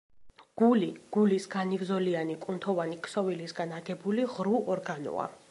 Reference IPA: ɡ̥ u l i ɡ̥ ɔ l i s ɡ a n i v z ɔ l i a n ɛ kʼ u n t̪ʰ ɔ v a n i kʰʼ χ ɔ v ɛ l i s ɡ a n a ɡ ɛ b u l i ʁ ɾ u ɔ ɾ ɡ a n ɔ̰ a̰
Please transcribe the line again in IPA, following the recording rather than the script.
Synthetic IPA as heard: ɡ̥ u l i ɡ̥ u l i s ɡ a n i v z ɔ l i a n i kʼ u n t̪ʰ ɔ v a n i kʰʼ s ɔ v i l i s ɡ a n a ɡ ɛ b u l i ʁ ɾ u ɔ ɾ ɡ a n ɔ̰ a̰